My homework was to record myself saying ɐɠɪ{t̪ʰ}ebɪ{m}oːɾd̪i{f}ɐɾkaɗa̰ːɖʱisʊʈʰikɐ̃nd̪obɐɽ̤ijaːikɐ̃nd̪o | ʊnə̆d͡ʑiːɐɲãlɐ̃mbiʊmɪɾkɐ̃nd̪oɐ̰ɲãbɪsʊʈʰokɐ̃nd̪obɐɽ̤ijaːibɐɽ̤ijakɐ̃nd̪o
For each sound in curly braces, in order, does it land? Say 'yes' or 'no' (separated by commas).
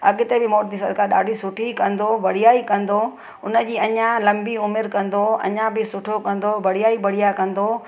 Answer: no, yes, no